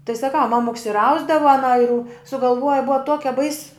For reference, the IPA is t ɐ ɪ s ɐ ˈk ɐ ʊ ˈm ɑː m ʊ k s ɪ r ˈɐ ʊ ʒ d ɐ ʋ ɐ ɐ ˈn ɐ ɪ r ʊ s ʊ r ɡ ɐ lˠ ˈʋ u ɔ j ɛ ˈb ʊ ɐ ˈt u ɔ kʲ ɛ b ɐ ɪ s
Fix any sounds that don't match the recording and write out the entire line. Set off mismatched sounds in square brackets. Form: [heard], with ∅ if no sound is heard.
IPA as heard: t ɐ ɪ s ɐ ˈk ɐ ʊ ˈm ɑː m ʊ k s ɪ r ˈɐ ʊ [z] d ɐ ʋ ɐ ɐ ˈn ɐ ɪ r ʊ s ʊ [∅] ɡ ɐ lˠ ˈʋ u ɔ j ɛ ˈb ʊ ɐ ˈt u ɔ kʲ ɛ b ɐ ɪ s